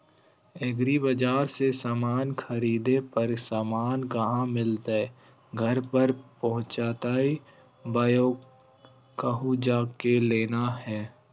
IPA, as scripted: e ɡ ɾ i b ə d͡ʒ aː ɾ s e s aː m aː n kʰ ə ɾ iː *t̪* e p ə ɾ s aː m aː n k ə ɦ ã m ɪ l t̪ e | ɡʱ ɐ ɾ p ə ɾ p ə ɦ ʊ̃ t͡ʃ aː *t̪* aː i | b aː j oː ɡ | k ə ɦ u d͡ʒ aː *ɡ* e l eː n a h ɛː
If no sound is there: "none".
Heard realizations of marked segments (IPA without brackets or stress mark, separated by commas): d̪, t̪, k